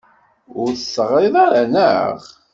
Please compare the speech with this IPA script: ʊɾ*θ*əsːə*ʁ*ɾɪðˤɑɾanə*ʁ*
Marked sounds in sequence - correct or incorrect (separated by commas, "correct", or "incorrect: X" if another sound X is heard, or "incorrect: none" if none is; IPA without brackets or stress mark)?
correct, correct, correct